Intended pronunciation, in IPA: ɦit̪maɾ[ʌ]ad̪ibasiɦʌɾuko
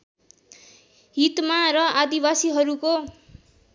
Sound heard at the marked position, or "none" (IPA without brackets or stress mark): ʌ